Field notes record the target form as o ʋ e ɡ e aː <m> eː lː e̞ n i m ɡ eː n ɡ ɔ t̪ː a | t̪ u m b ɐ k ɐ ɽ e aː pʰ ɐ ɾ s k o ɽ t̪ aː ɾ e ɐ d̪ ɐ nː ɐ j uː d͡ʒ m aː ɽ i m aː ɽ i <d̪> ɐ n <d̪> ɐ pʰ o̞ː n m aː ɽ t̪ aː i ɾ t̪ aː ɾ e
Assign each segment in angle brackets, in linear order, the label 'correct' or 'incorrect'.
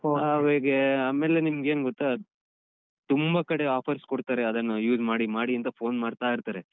correct, incorrect, incorrect

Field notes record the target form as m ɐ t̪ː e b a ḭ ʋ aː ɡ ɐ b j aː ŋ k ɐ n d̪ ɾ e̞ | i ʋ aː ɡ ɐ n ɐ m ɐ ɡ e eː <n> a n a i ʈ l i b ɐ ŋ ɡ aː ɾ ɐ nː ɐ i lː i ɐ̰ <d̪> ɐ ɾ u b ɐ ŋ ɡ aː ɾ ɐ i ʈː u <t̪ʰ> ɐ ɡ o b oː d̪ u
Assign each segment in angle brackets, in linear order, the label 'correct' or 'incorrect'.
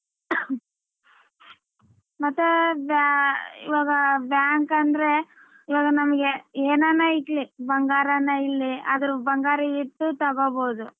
correct, correct, incorrect

